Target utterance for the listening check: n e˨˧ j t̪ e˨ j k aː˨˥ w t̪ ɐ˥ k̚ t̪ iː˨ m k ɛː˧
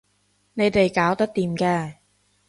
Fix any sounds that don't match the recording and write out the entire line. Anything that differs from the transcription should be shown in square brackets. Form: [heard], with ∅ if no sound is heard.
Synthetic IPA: n e˨˧ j t̪ e˨ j k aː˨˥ w t̪ ɐ˥ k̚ t̪ iː˨ m k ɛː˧